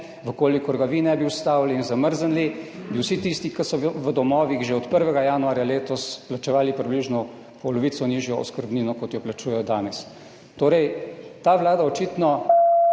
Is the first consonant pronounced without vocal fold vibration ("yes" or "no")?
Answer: no